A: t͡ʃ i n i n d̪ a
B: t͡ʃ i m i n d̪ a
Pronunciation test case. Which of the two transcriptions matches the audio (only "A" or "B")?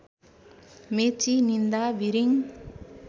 A